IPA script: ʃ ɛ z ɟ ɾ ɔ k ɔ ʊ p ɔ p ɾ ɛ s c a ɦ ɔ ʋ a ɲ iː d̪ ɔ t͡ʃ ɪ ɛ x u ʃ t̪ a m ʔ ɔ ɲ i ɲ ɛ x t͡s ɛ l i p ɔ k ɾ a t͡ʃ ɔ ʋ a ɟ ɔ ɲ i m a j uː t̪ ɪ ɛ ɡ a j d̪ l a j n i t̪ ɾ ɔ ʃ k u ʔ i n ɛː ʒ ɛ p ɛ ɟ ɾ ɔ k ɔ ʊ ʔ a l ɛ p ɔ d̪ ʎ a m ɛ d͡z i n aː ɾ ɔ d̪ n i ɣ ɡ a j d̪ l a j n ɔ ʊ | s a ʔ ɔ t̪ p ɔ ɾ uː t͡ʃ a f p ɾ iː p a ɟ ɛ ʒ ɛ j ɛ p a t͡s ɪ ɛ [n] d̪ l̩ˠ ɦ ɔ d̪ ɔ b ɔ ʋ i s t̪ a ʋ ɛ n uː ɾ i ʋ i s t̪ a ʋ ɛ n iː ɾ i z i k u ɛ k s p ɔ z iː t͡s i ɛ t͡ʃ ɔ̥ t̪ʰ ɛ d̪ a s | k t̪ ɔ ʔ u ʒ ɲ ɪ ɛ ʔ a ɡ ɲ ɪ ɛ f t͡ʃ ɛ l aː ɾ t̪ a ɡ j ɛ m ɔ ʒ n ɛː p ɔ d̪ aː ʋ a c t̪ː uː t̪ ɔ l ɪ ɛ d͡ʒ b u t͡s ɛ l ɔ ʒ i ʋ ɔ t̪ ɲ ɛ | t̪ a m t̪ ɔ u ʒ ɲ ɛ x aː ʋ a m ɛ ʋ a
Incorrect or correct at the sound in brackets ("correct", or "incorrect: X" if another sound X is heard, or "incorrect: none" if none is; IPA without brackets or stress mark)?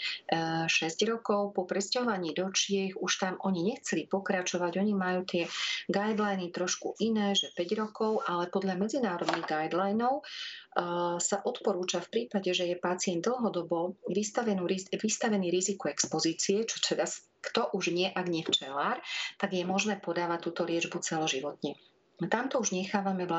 correct